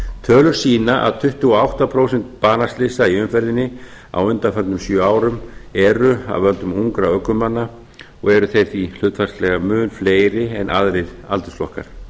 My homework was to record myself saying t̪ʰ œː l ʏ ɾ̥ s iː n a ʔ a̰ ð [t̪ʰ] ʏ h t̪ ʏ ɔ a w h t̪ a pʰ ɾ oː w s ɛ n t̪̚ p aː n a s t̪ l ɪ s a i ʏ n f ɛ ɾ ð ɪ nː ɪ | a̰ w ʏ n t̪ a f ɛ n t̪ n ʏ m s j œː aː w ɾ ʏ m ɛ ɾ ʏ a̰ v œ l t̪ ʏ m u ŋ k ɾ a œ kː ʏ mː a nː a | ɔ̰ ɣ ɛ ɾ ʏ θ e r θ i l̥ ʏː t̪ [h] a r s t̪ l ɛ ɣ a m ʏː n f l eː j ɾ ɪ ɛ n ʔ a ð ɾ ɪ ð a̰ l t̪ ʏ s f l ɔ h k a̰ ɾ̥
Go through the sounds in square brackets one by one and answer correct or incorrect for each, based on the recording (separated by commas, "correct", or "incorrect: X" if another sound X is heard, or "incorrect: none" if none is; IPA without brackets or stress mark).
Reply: correct, incorrect: f